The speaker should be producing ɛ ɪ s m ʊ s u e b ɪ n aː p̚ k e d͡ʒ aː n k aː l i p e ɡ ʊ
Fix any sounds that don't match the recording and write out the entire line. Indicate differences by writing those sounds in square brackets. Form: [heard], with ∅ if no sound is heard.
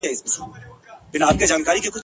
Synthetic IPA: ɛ ɪ s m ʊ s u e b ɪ n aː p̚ k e d͡ʒ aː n k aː [ɾ] i [k] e [k] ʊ